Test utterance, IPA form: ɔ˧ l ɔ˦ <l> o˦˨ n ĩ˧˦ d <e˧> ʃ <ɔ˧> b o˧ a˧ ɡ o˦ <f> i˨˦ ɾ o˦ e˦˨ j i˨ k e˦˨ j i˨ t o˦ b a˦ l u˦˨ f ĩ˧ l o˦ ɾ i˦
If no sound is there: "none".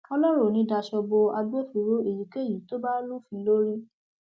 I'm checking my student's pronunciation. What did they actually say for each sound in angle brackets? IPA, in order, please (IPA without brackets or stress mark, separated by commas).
ɾ, a˧, ɔ˧, f